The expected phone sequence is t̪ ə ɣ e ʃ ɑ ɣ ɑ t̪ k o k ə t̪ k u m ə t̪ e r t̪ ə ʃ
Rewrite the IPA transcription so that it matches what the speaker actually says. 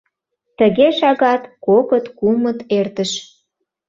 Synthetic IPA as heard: t̪ ə ɣ e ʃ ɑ ɣ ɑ t̪ k o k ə t̪ k u m ə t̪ e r t̪ ə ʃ